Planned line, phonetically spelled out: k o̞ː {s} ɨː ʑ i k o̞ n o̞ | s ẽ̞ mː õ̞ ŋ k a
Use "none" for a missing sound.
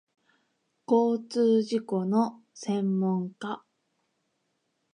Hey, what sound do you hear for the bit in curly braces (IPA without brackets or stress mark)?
t͡s